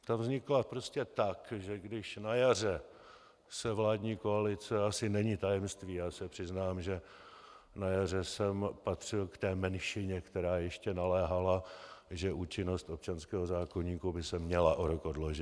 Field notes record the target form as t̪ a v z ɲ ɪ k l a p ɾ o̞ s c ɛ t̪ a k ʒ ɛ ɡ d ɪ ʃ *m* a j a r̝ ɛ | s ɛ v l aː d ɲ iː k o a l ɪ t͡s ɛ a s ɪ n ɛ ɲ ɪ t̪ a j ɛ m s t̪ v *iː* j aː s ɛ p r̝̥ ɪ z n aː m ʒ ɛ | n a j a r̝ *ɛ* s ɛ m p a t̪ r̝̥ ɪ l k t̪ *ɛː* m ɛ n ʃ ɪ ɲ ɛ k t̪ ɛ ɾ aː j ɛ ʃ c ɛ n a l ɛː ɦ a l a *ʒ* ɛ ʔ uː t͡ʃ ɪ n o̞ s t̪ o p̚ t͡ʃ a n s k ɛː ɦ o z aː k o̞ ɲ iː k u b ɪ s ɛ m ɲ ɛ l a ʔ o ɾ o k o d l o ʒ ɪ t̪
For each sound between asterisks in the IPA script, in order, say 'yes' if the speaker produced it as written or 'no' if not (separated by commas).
no, yes, yes, yes, yes